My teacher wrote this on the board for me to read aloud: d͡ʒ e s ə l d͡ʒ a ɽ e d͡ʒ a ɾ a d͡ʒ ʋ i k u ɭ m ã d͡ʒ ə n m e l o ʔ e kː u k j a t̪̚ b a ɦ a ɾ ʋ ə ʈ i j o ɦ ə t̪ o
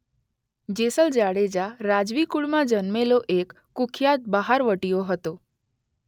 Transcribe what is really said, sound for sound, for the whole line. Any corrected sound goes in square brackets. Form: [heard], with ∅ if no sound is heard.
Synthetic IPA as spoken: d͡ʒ e s ə l d͡ʒ a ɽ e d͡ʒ a ɾ a d͡ʒ ʋ i k u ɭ m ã d͡ʒ ə n m e l o ʔ e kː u [kʰ] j a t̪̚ b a ɦ a ɾ ʋ ə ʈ i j o ɦ ə t̪ o